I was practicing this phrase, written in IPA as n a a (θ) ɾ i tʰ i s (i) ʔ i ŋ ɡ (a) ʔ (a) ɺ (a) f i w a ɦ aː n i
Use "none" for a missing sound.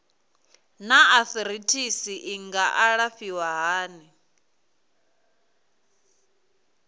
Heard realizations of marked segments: θ, i, a, a, a

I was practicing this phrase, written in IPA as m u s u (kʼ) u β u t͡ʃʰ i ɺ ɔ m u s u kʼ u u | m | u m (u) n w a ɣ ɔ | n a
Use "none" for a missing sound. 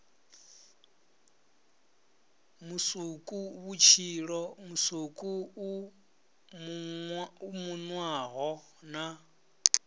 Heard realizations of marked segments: kʼ, u

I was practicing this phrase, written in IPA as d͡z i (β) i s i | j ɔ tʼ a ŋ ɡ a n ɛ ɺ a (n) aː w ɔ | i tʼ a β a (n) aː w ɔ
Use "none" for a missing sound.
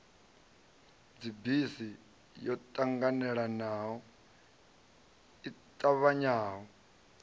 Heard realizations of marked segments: b, n, ɲ

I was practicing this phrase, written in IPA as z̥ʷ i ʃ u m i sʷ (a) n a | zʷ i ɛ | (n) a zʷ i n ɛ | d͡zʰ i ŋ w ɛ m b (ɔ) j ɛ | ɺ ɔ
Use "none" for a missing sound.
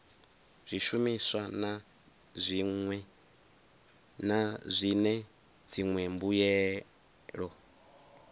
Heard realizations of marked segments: a, n, u

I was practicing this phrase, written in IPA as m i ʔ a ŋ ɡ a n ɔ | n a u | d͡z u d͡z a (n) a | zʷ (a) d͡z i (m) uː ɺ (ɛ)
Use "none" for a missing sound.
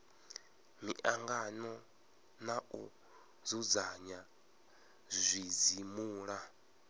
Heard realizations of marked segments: ɲ, i, m, a

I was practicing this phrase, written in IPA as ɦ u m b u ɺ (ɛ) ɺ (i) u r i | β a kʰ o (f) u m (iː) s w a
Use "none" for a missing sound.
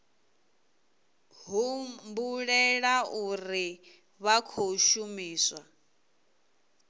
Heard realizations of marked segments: ɛ, a, ʃ, iː

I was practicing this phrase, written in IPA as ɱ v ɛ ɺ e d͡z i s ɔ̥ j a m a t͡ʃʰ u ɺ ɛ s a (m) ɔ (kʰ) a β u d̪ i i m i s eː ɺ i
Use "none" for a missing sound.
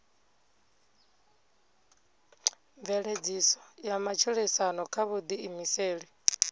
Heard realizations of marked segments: n, kʰ

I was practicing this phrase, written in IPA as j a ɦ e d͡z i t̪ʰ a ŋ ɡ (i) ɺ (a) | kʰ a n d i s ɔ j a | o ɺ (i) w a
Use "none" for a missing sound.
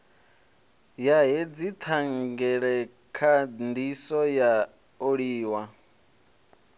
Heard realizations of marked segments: ɛ, ɛ, iː

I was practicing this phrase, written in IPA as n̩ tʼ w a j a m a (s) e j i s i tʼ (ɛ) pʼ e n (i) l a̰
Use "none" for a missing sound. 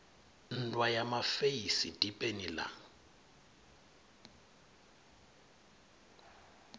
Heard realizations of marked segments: f, i, i

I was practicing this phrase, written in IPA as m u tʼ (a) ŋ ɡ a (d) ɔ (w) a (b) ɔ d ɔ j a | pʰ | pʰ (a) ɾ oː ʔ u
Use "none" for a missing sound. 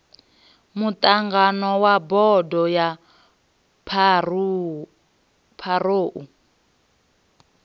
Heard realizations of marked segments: a, n, w, b, a

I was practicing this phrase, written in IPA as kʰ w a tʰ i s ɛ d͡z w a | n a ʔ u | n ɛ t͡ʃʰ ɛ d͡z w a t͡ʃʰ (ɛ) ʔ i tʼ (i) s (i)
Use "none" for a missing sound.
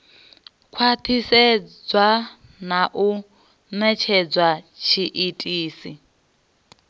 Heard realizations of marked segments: i, iː, i

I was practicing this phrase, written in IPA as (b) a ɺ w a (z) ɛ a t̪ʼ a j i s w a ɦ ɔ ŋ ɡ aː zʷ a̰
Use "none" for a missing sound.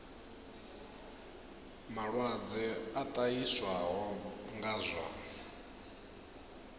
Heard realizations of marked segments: m, d͡z

